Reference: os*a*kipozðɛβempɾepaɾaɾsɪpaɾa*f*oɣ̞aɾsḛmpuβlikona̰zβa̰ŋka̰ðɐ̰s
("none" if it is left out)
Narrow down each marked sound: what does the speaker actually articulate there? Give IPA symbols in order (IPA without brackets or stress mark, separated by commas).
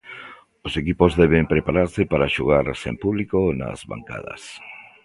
e, ʃ